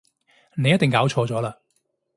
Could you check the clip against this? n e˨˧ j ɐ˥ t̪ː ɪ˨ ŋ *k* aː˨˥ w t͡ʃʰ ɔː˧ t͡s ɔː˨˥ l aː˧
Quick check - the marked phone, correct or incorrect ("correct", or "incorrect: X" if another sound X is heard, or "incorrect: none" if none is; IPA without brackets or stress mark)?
correct